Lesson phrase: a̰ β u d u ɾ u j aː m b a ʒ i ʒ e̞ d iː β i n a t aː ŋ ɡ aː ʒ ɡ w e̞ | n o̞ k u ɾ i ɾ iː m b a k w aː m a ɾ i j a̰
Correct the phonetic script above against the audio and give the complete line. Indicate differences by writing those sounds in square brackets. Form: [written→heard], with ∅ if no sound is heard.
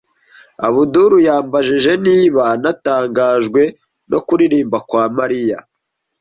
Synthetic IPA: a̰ β u d u ɾ u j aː m b a ʒ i ʒ e̞ [d→n] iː β [i→a] n a t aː ŋ ɡ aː ʒ ɡ w e̞ | n o̞ k u ɾ i ɾ iː m b a k w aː m a ɾ i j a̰